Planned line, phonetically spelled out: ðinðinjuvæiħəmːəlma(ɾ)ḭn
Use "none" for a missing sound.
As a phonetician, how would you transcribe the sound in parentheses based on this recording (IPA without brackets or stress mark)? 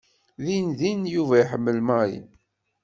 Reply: ɾ